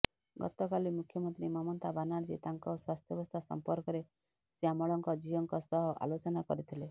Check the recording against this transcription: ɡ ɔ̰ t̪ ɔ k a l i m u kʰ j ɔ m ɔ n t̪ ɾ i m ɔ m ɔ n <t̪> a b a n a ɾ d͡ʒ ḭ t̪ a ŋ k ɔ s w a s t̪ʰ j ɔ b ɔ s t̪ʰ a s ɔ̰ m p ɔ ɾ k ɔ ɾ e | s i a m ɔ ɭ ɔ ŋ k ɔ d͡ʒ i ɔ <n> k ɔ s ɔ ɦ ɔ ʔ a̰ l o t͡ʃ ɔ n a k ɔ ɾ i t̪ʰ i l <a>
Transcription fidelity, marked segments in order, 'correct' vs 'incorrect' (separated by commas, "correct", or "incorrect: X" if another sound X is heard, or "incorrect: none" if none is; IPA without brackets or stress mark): correct, incorrect: ŋ, incorrect: e